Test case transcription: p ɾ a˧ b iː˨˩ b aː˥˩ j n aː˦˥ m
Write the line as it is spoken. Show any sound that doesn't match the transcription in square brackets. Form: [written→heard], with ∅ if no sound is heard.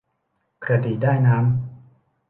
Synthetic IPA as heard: [p→k] ɾ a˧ [b→d] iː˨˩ [b→d] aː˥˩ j n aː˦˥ m